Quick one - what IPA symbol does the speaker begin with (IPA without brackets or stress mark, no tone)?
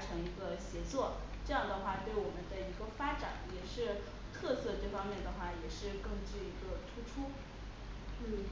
ʈ͡ʂʰ